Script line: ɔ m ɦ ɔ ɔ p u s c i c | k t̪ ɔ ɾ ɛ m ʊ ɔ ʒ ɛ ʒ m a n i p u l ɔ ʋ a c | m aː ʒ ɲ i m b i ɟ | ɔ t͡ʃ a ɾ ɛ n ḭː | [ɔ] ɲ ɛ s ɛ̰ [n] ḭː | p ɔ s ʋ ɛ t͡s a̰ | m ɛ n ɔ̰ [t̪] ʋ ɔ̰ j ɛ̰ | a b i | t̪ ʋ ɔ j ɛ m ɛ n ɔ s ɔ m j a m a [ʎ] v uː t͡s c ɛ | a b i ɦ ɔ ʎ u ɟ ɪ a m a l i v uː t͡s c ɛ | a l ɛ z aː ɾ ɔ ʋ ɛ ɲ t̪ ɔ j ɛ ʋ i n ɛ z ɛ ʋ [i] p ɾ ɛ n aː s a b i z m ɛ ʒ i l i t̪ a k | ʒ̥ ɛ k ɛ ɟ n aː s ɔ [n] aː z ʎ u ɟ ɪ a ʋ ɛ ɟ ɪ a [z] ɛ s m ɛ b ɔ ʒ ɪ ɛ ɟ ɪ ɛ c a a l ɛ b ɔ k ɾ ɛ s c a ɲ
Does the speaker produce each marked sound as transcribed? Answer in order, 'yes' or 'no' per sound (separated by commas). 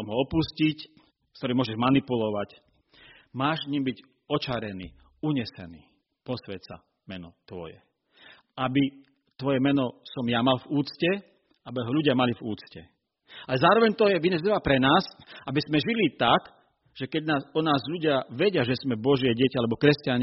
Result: no, yes, yes, no, no, yes, no